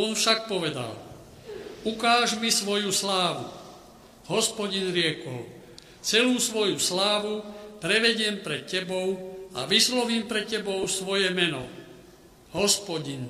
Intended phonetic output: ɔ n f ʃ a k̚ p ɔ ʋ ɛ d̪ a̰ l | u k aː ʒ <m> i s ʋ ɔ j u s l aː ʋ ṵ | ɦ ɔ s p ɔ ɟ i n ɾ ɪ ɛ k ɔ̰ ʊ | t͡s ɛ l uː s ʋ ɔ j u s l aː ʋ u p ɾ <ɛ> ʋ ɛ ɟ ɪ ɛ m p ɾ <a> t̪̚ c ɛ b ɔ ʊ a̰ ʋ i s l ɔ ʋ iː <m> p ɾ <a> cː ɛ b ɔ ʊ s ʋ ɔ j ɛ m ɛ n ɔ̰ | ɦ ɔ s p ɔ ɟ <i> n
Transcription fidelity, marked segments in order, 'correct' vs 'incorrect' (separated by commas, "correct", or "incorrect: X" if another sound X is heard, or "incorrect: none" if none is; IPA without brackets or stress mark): correct, correct, incorrect: ɛ, correct, incorrect: ɛ, correct